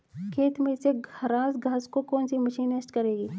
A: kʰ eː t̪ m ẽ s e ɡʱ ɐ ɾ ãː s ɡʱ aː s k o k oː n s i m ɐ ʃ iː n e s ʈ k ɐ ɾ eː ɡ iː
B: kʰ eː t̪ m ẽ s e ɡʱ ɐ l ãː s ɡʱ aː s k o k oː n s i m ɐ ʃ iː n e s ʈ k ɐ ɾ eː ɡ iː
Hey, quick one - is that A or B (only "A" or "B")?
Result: A